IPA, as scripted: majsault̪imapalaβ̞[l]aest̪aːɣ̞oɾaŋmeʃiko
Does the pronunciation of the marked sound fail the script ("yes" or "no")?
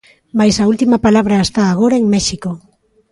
yes